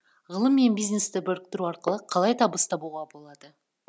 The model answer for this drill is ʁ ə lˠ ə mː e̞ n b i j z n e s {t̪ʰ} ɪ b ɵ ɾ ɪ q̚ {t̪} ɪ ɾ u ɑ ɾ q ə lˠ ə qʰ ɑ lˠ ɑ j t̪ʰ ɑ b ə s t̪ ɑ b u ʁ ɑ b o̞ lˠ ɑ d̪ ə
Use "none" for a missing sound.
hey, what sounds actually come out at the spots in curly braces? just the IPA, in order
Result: t̪, t̪

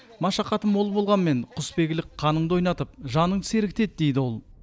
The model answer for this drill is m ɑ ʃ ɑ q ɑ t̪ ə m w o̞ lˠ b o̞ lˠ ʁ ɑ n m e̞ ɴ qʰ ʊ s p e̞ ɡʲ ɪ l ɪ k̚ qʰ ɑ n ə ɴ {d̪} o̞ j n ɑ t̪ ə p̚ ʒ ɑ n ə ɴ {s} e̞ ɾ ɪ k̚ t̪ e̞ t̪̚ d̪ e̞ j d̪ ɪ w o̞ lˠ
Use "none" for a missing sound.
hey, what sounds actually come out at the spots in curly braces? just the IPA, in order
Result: d̪, s

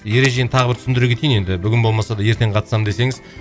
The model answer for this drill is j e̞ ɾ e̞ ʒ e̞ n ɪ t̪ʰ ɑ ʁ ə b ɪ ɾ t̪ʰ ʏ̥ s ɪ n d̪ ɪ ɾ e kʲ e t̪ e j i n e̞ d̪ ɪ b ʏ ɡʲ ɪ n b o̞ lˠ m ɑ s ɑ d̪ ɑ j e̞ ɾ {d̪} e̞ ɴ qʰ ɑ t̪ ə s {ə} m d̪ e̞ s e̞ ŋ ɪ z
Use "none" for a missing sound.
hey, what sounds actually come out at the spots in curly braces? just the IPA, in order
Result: t̪, ɑ

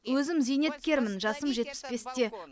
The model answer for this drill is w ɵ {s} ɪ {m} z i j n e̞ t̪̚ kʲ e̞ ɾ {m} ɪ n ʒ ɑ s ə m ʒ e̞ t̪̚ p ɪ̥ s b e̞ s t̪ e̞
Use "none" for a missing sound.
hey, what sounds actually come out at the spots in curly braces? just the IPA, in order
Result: z, m, m

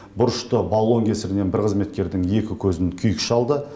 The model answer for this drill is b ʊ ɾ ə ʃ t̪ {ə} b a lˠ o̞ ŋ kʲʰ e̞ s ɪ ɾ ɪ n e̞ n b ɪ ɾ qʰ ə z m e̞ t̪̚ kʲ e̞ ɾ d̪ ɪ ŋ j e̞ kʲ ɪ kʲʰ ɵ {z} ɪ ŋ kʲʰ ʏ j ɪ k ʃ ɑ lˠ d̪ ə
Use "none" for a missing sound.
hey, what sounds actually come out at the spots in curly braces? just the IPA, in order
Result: ə, z

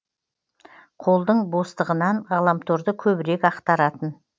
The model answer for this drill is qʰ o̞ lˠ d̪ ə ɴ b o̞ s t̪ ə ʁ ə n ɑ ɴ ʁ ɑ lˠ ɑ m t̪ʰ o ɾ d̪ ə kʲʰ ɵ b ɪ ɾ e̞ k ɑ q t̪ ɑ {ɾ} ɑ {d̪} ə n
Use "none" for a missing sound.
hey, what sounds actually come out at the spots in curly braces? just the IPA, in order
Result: ɾ, t̪

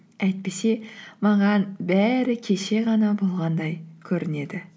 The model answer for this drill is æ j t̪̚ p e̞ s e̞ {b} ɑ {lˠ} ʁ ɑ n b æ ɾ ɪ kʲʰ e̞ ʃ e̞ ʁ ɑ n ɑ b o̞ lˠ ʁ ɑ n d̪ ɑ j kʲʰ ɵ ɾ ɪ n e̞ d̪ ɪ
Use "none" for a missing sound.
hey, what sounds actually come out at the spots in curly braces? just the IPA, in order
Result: m, none

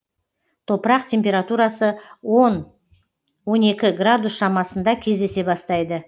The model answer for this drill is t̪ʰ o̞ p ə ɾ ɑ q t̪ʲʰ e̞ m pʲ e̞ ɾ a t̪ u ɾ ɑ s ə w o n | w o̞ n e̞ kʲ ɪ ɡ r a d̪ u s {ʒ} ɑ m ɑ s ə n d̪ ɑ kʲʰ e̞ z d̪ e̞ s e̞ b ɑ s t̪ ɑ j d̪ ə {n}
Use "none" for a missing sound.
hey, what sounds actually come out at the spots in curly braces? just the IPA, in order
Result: ʃ, none

